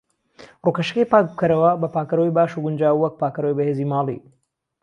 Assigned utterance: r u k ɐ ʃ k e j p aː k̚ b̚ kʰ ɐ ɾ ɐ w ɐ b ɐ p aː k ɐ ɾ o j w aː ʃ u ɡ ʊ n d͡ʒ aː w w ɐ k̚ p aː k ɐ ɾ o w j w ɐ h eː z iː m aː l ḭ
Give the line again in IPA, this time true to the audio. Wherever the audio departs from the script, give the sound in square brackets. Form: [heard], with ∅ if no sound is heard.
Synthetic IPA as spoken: r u k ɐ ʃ k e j p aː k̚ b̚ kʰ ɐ ɾ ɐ w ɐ b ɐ p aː k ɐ ɾ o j [b] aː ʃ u ɡ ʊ n d͡ʒ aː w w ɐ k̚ p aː k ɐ ɾ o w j [b] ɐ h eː z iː m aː l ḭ